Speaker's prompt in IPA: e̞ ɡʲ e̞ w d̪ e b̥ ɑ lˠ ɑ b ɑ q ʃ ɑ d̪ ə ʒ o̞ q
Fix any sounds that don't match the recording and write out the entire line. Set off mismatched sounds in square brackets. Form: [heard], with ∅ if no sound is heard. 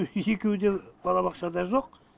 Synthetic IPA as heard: e̞ [kʲ] e̞ w d̪ e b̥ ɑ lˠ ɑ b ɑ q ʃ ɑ d̪ [ɑ] ʒ o̞ q